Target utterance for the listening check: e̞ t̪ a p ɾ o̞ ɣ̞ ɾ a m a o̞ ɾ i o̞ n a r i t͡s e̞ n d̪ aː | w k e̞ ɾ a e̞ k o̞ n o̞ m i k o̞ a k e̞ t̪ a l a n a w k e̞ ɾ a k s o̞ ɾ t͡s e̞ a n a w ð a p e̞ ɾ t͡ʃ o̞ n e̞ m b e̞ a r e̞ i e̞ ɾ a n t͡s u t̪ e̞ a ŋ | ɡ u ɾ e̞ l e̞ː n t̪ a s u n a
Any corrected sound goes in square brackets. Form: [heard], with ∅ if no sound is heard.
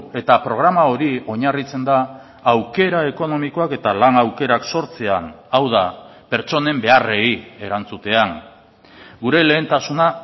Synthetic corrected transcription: e̞ t̪ a p ɾ o̞ ɣ̞ ɾ a m a o̞ ɾ i o̞ [ɲ] a r i t͡s e̞ n d̪ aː | w k e̞ ɾ a e̞ k o̞ n o̞ m i k o̞ a k e̞ t̪ a l a n a w k e̞ ɾ a k s o̞ ɾ t͡s e̞ a n a w ð a p e̞ ɾ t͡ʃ o̞ n e̞ m b e̞ a r e̞ i e̞ ɾ a n t͡s u t̪ e̞ a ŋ | ɡ u ɾ e̞ l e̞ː n t̪ a s u n a